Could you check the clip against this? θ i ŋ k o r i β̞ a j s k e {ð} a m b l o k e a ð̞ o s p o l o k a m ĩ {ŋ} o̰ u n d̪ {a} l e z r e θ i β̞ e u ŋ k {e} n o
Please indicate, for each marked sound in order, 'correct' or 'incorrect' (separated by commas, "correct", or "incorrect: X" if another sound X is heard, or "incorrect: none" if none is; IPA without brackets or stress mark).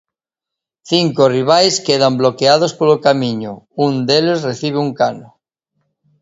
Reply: correct, incorrect: ɲ, incorrect: e, incorrect: a